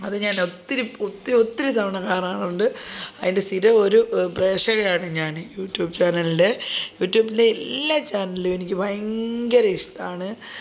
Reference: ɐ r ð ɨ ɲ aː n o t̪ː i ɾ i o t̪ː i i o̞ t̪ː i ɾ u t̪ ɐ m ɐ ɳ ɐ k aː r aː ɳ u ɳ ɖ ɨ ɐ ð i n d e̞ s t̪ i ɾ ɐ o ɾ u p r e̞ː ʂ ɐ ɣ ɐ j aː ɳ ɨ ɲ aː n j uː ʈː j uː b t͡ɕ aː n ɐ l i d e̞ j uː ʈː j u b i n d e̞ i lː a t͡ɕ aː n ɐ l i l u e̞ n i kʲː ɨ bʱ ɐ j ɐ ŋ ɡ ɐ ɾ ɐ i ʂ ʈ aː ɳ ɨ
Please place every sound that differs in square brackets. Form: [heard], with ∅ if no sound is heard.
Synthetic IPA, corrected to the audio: ɐ [∅] ð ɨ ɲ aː n o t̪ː i ɾ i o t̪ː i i o̞ t̪ː i ɾ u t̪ ɐ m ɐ ɳ ɐ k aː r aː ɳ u ɳ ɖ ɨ ɐ ð i n d e̞ s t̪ i ɾ ɐ o ɾ u p r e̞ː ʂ ɐ ɣ ɐ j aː ɳ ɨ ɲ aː n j uː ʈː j uː b t͡ɕ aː n ɐ l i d e̞ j uː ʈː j [uː] b i n d e̞ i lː a t͡ɕ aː n ɐ l i l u e̞ n i kʲː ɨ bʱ ɐ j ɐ ŋ ɡ ɐ ɾ ɐ i ʂ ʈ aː ɳ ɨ